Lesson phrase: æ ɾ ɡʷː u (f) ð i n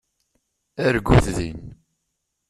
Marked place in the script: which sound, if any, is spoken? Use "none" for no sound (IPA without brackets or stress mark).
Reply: θ